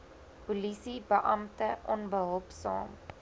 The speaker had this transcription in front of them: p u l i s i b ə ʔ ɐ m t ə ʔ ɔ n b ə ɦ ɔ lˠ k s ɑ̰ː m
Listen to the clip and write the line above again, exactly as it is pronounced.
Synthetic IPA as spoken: p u l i s i b ə ʔ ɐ m t ə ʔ ɔ n b ə ɦ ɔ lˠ p s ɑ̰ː m